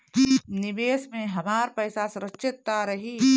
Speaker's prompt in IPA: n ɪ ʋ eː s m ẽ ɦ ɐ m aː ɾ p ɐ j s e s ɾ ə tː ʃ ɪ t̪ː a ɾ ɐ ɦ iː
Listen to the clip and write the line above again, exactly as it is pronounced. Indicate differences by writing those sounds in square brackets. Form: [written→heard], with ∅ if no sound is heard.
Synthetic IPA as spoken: n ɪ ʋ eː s m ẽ ɦ ɐ m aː ɾ p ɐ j s [e→a] s ɾ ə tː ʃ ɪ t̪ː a ɾ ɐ ɦ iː